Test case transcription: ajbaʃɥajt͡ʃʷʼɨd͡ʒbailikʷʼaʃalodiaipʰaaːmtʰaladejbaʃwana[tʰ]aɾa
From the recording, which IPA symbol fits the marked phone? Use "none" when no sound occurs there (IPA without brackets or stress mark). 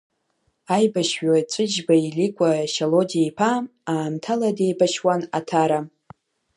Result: tʰ